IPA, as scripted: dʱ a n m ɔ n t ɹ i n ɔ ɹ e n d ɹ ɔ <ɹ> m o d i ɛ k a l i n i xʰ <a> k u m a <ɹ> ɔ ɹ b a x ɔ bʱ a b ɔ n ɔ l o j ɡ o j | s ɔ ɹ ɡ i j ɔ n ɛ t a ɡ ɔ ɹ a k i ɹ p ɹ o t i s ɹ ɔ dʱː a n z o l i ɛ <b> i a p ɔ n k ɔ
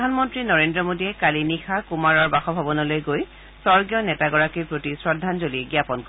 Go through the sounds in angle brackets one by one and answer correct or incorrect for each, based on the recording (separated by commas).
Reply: incorrect, correct, correct, incorrect